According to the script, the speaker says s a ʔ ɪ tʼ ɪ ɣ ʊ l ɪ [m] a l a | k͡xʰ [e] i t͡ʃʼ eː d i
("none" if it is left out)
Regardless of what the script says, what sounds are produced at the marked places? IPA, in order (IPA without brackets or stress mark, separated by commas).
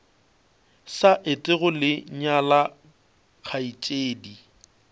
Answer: ɲ, a